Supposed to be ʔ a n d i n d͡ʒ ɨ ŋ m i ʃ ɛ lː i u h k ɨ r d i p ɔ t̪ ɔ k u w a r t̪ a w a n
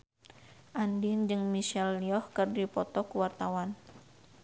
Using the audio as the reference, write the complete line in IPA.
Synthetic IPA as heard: ʔ a n d i n d͡ʒ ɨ ŋ m i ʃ ɛ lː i ɔ h k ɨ r d i p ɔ t̪ ɔ k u w a r t̪ a w a n